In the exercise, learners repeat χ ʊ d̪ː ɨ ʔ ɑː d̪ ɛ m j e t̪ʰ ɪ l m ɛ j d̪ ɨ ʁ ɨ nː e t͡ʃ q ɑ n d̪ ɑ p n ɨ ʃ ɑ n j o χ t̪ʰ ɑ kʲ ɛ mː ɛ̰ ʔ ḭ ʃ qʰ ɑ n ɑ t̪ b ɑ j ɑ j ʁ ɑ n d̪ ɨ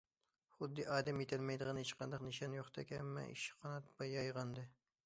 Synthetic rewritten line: χ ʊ d̪ː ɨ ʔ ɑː d̪ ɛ m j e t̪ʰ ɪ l m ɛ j d̪ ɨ ʁ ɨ n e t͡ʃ q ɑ n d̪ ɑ q n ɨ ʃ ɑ n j o χ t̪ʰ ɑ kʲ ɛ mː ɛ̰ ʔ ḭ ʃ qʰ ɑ n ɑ t̪ b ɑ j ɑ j ʁ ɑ n d̪ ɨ

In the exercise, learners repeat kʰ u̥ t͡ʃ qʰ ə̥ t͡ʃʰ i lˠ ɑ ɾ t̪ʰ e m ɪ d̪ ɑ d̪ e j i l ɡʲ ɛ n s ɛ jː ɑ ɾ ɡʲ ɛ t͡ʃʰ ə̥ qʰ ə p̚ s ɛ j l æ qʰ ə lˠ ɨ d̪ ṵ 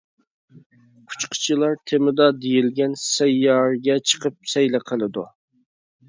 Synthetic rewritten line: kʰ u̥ t͡ʃ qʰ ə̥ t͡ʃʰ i lˠ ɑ ɾ t̪ʰ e m ɪ d̪ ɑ d̪ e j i l ɡʲ ɛ n s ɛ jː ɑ ɾ ɡʲ ɛ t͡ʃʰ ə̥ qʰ ə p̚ s ɛ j l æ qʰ ə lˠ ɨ d̪ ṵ

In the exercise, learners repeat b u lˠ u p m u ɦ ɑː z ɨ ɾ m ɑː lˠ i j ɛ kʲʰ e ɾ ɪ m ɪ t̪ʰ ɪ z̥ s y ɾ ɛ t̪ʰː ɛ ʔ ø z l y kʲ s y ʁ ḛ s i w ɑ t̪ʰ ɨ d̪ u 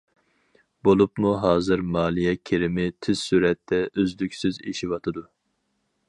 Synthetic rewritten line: b o lˠ u p m u ɦ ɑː z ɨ ɾ m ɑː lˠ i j ɛ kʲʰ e ɾ ɪ m ɪ t̪ʰ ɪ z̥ s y ɾ ɛ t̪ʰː ɛ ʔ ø z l y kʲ s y z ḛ ʃ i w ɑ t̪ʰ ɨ d̪ u

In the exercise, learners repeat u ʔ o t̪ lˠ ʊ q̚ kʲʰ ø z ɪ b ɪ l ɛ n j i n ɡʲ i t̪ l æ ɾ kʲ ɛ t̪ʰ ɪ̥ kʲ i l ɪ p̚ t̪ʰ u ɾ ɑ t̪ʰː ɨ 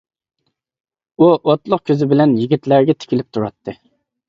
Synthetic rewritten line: u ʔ o t̪ lˠ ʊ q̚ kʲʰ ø z ɪ b ɪ l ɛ n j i ɡʲ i t̪ l æ ɾ ɡʲ ɛ t̪ʰ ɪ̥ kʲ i l ɪ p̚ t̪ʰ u ɾ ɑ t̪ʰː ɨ

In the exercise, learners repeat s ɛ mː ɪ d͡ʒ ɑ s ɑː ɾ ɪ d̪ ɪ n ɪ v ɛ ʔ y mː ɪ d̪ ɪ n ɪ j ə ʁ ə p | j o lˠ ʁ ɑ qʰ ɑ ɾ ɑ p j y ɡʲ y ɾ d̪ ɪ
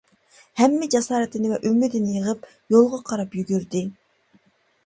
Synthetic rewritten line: h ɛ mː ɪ d͡ʒ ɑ s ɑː ɾ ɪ t̪ ɪ n ɪ v ɛ ʔ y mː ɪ d̪ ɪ n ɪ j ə ʁ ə p | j o lˠ ʁ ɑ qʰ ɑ ɾ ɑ p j y ɡʲ y ɾ d̪ ɪ

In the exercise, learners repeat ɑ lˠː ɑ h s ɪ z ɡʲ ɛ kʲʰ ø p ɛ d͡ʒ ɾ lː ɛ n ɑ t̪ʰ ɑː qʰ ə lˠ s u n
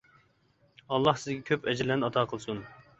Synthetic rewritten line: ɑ lˠː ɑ h s ɪ z ɡʲ ɛ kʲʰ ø p ɛ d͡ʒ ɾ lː ɛ n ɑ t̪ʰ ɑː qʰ ə lˠ s u n

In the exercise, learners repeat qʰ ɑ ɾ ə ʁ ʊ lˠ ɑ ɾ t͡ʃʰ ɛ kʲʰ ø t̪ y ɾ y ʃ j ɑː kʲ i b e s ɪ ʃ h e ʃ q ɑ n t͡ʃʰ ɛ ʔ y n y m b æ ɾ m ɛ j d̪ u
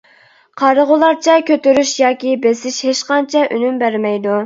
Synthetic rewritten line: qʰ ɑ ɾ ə ʁ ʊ lˠ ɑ ɾ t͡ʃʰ ɛ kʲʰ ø t̪ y ɾ y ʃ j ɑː kʲ i b e s ɪ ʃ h e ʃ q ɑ n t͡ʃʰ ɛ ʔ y n y m b æ ɾ m ɛ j d̪ u

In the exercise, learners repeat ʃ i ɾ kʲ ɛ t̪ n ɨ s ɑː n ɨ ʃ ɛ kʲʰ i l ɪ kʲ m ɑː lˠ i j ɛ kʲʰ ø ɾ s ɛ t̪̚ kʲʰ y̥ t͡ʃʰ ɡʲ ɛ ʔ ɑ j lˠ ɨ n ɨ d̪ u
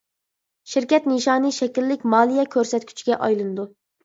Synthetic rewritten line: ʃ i ɾ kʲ ɛ t̪ n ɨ ʃ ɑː n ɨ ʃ ɛ kʲ i lː ɪ kʲ m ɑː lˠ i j ɛ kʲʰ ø ɾ s ɛ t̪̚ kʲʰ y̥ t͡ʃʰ ɡʲ ɛ ʔ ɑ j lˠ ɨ n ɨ d̪ u

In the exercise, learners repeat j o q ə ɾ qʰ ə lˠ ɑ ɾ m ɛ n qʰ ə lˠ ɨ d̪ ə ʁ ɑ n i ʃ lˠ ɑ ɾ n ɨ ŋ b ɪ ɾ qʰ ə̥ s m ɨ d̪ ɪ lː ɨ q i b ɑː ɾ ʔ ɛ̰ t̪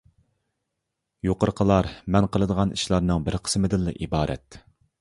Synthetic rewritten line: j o q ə ɾ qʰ ə lˠ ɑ ɾ m ɛ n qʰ ə lˠ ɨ d̪ ə ʁ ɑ n i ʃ lˠ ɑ ɾ n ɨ ŋ b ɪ ɾ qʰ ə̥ s m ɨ d̪ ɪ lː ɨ ʔ i b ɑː ɾ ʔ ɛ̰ t̪

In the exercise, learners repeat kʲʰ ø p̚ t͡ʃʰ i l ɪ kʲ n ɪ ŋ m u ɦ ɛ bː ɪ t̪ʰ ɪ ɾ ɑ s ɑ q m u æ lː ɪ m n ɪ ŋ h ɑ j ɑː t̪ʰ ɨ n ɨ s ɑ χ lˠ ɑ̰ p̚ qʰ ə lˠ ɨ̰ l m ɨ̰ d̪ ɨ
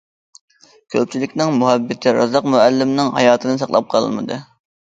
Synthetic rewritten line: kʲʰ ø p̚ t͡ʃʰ i l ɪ kʲ n ɪ ŋ m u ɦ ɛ bː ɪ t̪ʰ ɪ ɾ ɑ z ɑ q m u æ lː ɪ m n ɪ ŋ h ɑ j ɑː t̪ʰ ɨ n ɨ s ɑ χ lˠ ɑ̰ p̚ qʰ ɑ lˠ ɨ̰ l m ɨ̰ d̪ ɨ

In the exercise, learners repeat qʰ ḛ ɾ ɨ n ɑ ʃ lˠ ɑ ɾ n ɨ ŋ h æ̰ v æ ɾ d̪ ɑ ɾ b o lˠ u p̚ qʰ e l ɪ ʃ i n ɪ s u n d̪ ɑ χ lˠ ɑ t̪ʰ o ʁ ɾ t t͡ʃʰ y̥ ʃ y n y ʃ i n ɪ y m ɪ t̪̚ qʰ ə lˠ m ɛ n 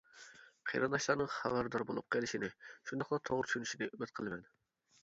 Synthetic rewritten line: qʰ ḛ ɾ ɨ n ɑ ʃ lˠ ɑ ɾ n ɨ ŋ χ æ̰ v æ ɾ d̪ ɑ ɾ b o lˠ u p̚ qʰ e l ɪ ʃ i n ɪ ʃ u n d̪ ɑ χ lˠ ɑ t̪ʰ o ʁ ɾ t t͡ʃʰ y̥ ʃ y n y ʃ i n ɪ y m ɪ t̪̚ qʰ ə lˠ m ɛ n

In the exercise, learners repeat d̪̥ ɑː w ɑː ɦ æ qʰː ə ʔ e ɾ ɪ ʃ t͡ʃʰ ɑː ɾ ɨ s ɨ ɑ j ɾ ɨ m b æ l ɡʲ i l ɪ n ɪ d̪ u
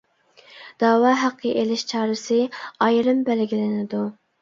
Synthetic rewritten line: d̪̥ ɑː w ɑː ɦ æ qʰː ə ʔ e l ɪ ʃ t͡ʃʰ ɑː ɾ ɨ s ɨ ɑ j ɾ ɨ m b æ l ɡʲ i l ɪ n ɪ d̪ u

